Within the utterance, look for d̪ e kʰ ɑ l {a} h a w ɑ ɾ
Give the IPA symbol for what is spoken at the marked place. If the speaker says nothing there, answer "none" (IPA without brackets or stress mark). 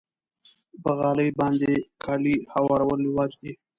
i